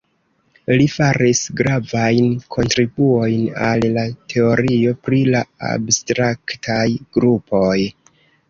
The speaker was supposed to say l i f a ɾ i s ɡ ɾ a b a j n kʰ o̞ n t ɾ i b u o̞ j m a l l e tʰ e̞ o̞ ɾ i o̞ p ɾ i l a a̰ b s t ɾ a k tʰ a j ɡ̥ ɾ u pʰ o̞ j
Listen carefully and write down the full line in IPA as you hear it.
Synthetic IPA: l i f a ɾ i s ɡ ɾ a v a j n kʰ o̞ n t ɾ i b u o̞ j n a l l a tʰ e̞ o̞ ɾ i o̞ p ɾ i l a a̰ b s t ɾ a k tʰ a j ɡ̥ ɾ u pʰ o̞ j